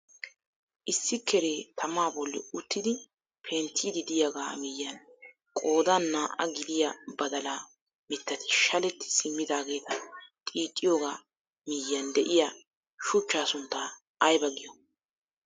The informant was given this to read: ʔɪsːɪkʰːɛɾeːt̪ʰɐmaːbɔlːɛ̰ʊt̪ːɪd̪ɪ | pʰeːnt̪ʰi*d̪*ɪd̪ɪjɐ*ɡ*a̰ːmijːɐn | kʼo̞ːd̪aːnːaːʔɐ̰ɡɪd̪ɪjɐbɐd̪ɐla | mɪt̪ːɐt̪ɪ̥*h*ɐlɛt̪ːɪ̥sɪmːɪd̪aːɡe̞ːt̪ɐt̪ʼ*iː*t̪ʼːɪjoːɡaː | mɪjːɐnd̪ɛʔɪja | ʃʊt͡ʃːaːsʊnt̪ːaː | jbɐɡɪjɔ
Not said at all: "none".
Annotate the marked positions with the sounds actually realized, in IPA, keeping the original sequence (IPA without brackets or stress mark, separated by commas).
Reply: d̪, ɡ, ʃ, iː